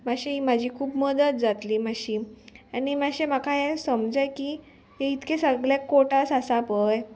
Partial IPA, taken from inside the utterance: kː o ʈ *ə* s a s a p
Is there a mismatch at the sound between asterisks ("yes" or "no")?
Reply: yes